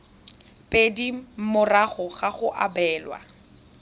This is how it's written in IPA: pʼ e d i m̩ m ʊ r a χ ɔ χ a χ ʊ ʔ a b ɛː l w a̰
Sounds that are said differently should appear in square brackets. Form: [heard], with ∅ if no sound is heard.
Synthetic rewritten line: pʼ e d i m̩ m ʊ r a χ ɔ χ a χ ʊ ʔ a b ɛː l w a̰